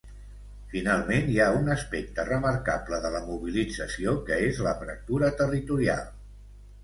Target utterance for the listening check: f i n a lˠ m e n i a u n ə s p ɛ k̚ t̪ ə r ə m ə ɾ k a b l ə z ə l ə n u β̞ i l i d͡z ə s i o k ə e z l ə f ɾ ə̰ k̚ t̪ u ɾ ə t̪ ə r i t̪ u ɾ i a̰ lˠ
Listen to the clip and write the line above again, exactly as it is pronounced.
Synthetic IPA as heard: f i n a lˠ m e n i a u n ə s p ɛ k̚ t̪ ə r ə m ə ɾ k a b l ə ð ə l ə m u β̞ i l i d͡z ə s i o k ə e z l ə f ɾ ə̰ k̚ t̪ u ɾ ə t̪ ə r i t̪ u ɾ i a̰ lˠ